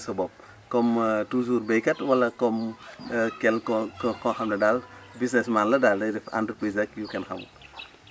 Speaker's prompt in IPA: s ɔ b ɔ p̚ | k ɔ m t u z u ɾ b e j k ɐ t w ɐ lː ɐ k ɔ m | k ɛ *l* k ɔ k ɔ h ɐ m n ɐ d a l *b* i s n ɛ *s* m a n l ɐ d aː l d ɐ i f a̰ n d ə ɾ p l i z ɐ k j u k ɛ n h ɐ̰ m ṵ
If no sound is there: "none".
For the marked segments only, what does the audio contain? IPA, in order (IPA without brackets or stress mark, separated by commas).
l, b, s